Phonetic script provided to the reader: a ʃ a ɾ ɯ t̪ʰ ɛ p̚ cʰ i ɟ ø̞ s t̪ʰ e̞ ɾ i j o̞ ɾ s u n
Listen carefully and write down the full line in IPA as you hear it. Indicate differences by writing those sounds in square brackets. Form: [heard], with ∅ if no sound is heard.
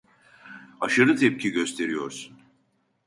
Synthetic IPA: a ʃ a ɾ ɯ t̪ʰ ɛ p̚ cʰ i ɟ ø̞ s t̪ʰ e̞ ɾ i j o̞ ɾ s u n